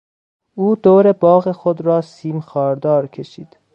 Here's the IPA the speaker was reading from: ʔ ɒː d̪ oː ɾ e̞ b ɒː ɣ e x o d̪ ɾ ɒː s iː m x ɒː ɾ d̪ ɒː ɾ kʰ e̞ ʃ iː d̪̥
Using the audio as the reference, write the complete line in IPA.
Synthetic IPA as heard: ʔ uː d̪ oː ɾ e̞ b ɒː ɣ e x o d̪ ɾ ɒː s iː m x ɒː ɾ d̪ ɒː ɾ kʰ e̞ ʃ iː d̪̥